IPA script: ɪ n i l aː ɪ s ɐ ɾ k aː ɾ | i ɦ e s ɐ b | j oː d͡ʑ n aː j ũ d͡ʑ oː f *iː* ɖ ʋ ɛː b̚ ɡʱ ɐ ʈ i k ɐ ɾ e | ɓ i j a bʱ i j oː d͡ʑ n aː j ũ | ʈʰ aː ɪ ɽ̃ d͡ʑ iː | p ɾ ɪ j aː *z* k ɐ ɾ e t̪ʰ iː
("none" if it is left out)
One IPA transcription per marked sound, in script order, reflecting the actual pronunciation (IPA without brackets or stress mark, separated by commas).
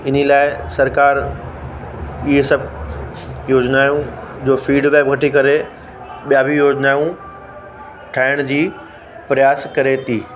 iː, s